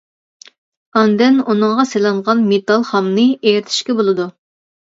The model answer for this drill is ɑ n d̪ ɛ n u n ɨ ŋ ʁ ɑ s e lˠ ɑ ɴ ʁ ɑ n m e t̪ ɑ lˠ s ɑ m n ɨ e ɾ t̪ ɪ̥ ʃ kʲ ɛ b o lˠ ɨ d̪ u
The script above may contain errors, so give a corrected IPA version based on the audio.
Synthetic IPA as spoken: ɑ n d̪ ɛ n u n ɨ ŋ ʁ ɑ s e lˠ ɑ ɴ ʁ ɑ n m e t̪ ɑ lˠ χ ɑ m n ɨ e ɾ t̪ʰ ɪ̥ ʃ kʲ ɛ b o lˠ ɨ d̪ u